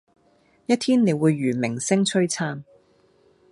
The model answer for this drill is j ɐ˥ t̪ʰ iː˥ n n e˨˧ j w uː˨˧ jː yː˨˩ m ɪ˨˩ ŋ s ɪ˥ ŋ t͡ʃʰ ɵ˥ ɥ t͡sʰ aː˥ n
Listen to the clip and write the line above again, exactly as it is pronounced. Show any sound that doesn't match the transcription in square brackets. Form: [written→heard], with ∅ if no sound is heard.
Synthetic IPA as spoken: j ɐ˥ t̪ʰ iː˥ n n e˨˧ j w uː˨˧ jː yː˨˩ m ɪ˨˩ ŋ s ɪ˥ ŋ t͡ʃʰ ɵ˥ ɥ t͡sʰ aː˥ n